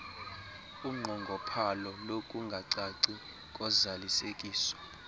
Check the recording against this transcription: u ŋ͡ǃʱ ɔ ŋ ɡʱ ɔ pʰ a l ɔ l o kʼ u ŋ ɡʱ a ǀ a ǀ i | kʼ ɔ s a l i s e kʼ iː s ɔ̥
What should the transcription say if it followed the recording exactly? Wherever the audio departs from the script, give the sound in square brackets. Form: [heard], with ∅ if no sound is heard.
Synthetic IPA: u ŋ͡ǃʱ ɔ ŋ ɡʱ ɔ pʰ a l ɔ l o kʼ u ŋ ɡʱ a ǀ a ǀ i | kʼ ɔ [z] a l i s e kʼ iː s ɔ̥

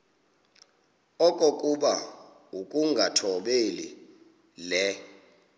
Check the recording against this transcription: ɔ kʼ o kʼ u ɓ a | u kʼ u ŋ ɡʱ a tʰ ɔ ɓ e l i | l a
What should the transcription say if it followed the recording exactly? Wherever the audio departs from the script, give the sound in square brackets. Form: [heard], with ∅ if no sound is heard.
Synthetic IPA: ɔ kʼ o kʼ u ɓ a | u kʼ u ŋ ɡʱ a tʰ ɔ ɓ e l i | l [ɛ]

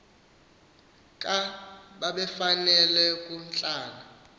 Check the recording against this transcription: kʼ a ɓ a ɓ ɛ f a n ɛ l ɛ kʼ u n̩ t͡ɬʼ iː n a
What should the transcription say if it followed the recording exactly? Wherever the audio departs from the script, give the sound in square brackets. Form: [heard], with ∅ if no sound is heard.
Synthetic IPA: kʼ a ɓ a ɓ ɛ f a n ɛ l ɛ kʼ u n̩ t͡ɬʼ [aː] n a

